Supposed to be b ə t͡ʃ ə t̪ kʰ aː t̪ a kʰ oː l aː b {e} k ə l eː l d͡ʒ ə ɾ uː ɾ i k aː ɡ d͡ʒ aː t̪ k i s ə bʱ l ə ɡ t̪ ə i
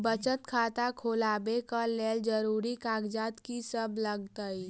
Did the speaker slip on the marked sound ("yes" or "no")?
no